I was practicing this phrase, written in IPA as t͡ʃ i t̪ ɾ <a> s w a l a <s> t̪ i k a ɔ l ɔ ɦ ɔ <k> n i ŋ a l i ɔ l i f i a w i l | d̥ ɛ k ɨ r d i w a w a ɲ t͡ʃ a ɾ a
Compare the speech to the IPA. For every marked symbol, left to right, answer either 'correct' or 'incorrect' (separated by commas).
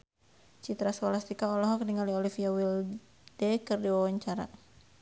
correct, correct, correct